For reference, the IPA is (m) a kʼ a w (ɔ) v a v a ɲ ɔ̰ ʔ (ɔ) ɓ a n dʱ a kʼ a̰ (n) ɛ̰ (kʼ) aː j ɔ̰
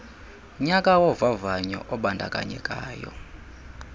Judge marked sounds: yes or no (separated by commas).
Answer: no, yes, yes, no, yes